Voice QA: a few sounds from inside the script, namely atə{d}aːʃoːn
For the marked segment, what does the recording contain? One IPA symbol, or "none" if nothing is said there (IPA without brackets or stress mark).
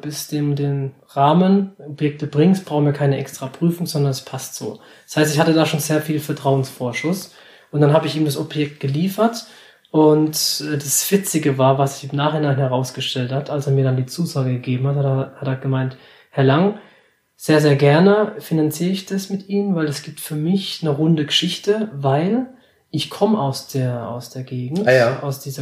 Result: d